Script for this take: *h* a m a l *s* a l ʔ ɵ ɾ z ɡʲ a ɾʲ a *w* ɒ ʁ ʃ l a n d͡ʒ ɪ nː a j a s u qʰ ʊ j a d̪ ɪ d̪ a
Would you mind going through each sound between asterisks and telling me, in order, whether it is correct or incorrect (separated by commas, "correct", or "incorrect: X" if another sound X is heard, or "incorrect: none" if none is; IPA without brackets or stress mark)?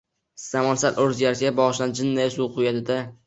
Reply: incorrect: s, correct, incorrect: b